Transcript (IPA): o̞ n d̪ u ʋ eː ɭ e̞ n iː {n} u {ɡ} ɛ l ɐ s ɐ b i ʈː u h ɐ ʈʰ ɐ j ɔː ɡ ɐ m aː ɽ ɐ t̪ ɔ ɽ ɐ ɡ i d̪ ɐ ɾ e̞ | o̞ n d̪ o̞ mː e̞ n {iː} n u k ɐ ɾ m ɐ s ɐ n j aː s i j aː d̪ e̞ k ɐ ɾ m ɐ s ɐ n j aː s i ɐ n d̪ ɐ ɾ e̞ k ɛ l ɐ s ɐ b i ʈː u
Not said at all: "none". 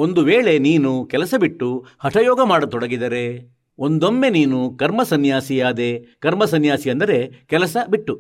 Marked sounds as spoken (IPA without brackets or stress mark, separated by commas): n, k, iː